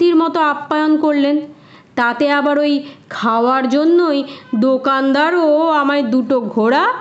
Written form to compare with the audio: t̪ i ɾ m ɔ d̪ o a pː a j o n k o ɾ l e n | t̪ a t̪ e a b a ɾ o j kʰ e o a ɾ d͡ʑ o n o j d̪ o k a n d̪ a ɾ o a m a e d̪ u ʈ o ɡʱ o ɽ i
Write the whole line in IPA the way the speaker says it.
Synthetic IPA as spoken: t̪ i ɾ m ɔ t̪ o a pː a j o n k o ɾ l e n | t̪ a t̪ e a b a ɾ o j kʰ a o a ɾ d͡ʑ o nː o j d̪ o k a n d̪ a ɾ o a m a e d̪ u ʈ o ɡʱ o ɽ a